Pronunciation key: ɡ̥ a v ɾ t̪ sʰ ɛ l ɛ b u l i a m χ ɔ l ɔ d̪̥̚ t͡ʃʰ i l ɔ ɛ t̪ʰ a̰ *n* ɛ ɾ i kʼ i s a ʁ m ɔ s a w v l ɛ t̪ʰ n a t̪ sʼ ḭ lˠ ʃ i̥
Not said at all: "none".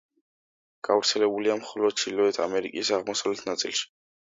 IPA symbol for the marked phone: m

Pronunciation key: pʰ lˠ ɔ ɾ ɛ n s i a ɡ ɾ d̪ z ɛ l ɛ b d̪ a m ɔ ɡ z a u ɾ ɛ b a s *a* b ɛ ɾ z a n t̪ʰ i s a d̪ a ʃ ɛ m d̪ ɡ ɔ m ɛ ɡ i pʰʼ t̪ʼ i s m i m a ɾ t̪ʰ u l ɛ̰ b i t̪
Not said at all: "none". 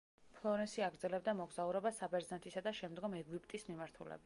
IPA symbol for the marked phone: a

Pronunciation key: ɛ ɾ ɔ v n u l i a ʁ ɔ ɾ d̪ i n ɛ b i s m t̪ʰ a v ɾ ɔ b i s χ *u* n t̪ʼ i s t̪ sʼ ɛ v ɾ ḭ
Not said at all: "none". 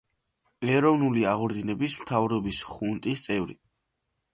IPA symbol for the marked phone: u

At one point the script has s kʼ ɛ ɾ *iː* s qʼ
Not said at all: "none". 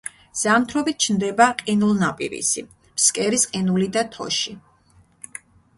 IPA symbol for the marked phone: i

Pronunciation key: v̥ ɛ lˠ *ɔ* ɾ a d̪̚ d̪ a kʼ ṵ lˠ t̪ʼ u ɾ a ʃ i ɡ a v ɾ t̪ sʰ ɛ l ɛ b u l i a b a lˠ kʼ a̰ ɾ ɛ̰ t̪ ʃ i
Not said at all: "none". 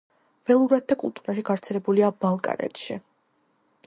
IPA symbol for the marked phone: u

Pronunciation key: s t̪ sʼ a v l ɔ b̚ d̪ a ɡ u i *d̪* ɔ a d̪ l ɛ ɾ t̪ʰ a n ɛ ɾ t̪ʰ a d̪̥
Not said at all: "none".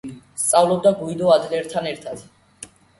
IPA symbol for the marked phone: d̪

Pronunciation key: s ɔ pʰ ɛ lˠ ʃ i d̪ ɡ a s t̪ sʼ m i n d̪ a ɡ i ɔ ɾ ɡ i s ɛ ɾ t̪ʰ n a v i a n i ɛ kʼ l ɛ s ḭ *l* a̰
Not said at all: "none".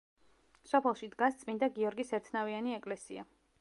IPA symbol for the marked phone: none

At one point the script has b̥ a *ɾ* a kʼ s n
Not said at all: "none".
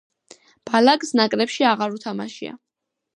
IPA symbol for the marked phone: l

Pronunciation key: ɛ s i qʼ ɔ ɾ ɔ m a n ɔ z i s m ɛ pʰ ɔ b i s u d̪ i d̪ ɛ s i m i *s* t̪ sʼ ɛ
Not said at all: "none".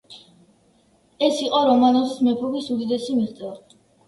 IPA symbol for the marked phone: χ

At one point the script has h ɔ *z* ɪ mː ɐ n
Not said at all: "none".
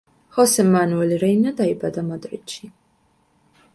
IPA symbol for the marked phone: s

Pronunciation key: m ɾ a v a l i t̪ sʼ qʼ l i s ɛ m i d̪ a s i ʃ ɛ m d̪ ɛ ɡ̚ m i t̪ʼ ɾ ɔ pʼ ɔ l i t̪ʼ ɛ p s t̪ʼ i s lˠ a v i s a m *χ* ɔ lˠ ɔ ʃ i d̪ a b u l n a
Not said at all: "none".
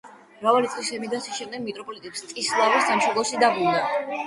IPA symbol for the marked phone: ʃ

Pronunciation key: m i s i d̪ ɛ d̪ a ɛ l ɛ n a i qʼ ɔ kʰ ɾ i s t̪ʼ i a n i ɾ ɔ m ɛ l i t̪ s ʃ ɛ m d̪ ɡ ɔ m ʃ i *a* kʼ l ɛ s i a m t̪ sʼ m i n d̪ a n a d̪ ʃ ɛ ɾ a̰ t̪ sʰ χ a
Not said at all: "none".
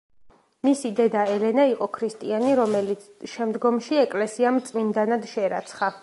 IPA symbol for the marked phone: ɛ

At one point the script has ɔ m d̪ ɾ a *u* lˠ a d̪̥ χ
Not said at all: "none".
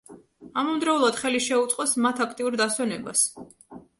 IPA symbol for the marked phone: u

